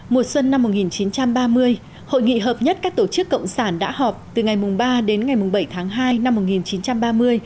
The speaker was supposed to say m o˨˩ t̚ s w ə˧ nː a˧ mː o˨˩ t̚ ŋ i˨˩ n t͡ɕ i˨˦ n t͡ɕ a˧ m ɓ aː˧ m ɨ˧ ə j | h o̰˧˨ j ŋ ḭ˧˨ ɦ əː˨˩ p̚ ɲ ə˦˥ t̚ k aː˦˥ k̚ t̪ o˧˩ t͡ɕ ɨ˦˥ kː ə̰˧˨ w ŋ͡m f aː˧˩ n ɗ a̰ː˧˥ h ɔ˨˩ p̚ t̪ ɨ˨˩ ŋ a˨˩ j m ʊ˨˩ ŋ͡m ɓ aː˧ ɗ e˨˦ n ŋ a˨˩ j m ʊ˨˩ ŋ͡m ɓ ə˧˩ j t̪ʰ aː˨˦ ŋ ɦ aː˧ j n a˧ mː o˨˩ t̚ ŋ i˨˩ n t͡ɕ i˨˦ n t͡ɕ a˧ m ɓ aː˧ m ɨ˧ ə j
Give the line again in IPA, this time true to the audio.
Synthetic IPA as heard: m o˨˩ t̚ s w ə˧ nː a˧ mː o˨˩ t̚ ŋ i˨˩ n t͡ɕ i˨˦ n t͡ɕ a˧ m ɓ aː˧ m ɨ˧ ə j | h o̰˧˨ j ŋ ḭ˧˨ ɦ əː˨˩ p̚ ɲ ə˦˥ t̚ k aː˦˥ k̚ t̪ o˧˩ t͡ɕ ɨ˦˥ kː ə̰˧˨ w ŋ͡m s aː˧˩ n ɗ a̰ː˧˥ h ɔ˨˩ p̚ t̪ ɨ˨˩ ŋ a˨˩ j m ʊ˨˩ ŋ͡m ɓ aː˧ ɗ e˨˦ n ŋ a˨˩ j m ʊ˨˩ ŋ͡m ɓ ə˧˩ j t̪ʰ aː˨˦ ŋ ɦ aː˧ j n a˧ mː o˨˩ t̚ ŋ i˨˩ n t͡ɕ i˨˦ n t͡ɕ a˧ m ɓ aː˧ m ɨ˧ ə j